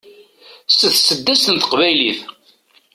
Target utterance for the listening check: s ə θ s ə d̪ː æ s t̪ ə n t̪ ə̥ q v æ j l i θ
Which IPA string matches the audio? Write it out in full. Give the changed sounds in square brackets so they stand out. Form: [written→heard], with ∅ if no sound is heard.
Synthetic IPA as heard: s ə θ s ə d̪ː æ s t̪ ə n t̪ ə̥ q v æ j l i θ